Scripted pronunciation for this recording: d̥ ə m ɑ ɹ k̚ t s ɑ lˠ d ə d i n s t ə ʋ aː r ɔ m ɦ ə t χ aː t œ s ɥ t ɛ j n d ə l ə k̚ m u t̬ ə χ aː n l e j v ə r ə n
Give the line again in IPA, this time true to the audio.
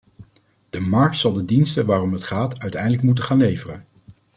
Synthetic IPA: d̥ ə m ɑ ɹ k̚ t s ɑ lˠ d ə d i n s t ə ʋ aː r ɔ m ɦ ə t χ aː t œ ɥ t ɛ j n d ə l ə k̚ m u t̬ ə χ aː n l e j v ə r ə n